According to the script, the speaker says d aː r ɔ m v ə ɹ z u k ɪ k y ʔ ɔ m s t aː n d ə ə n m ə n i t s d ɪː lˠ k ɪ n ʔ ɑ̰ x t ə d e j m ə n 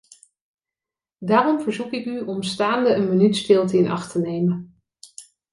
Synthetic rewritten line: d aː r ɔ m v ə ɹ z u k ɪ k y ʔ ɔ m s t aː n d ə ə n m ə n y t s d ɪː lˠ t ɪ n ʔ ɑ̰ χ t ə n e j m ə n